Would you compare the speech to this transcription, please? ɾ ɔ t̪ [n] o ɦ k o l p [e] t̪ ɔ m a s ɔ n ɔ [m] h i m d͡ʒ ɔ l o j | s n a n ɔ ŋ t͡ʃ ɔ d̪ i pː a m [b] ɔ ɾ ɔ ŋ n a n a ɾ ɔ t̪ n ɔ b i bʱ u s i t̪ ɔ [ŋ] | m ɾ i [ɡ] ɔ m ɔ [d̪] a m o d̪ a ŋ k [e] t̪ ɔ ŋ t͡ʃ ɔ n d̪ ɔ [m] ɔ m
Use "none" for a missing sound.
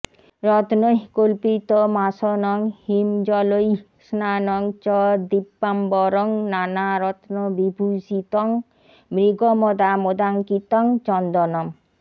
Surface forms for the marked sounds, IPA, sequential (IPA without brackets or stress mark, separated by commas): n, i, ŋ, b, ŋ, ɡ, d̪, i, n